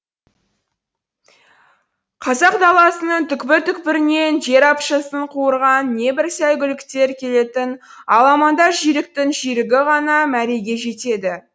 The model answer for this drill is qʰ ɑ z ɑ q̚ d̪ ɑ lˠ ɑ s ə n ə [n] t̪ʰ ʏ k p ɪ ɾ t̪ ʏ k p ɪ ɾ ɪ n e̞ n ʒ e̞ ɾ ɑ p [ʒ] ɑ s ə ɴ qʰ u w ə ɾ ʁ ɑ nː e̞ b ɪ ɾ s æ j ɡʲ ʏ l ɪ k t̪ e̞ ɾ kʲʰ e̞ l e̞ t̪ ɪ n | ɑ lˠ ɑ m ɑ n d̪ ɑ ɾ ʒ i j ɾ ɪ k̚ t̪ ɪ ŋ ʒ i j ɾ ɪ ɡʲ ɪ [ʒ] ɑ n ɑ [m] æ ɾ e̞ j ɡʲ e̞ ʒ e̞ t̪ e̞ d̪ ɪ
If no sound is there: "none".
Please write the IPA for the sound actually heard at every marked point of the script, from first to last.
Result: ɴ, ʃ, ʁ, m

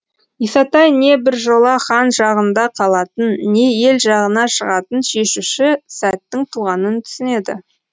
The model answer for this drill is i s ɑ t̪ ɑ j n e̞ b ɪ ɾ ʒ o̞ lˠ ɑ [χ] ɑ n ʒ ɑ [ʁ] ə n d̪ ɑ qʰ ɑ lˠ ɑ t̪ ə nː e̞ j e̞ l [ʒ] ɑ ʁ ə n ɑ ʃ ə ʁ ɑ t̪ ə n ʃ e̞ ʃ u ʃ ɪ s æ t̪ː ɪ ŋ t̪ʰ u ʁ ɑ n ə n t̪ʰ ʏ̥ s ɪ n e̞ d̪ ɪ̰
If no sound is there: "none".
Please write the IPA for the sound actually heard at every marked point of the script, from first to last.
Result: χ, ʁ, ʒ

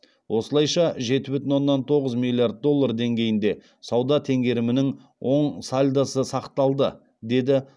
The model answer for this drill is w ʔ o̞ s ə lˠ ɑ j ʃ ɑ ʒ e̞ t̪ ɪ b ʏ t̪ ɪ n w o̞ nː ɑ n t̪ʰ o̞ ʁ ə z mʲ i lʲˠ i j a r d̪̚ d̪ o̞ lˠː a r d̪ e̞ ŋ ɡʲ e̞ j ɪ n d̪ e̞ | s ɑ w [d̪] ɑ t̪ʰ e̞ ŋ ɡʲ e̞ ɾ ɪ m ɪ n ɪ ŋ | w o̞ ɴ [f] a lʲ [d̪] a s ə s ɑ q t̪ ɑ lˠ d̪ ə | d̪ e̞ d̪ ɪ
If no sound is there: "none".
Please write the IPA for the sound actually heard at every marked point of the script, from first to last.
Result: d̪, s, d̪

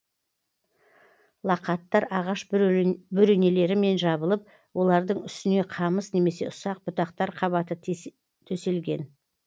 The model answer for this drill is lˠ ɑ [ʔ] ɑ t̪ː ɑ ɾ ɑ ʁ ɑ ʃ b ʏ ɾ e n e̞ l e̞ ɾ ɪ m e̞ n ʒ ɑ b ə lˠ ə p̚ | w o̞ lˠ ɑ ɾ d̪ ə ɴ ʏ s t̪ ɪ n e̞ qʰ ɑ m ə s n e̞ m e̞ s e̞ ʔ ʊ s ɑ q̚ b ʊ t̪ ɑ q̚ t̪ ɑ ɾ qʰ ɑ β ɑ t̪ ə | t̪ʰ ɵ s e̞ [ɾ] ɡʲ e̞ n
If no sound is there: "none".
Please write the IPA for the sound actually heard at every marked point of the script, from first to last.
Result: q, l

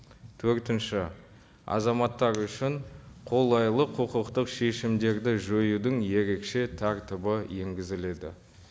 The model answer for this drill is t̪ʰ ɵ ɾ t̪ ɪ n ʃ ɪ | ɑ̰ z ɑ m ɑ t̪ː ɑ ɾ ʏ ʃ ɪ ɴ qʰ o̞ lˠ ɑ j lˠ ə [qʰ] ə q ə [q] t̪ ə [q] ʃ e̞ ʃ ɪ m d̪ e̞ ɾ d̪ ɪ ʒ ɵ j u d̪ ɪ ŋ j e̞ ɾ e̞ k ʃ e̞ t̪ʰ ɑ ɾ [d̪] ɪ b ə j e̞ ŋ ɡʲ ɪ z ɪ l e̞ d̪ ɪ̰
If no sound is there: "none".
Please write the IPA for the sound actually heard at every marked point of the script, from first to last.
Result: qʰ, q, q, t̪

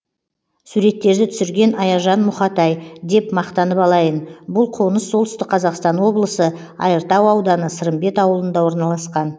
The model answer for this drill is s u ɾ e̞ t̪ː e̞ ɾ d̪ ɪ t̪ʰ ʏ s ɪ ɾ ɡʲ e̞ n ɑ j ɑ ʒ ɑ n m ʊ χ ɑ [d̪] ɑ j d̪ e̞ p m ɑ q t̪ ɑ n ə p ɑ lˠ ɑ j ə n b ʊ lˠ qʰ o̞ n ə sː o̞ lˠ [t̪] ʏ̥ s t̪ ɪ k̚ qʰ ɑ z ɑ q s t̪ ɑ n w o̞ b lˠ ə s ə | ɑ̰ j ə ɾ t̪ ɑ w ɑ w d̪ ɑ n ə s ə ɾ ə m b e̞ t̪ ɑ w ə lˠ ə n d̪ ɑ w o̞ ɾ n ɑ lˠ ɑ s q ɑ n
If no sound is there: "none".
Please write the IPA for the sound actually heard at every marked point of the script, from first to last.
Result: t̪, t̪

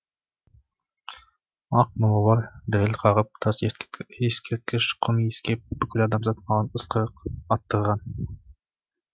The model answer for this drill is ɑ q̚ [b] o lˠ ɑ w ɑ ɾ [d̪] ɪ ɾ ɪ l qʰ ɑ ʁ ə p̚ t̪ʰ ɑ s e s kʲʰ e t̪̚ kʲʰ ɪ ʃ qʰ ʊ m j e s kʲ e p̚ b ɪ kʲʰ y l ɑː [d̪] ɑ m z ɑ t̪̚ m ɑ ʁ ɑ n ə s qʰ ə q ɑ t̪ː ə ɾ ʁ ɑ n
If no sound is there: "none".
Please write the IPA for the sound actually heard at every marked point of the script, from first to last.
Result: m, d̪, d̪

